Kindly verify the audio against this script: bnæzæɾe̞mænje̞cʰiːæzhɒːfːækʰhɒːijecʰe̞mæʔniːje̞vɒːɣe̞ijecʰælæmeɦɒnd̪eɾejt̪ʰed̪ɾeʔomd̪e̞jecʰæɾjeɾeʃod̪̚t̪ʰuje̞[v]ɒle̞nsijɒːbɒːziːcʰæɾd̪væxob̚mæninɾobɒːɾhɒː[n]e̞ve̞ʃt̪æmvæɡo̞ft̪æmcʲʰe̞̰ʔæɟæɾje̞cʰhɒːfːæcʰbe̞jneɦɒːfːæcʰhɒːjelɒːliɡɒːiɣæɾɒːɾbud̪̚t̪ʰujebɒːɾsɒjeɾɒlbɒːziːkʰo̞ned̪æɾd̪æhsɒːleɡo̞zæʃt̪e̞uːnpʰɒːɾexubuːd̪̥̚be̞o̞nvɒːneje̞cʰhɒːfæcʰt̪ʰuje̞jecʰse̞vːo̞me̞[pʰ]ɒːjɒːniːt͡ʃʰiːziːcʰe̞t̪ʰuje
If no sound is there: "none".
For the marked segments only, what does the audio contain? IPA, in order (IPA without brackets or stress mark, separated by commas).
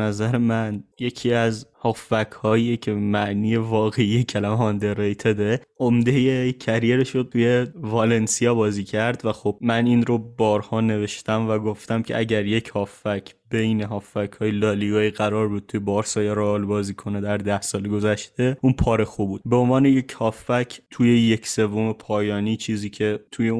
v, n, pʰ